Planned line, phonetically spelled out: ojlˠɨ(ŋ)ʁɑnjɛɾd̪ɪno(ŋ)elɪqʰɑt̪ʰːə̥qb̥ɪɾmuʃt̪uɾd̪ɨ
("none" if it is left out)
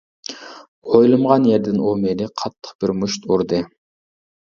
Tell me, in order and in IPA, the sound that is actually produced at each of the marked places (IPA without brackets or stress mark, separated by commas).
m, m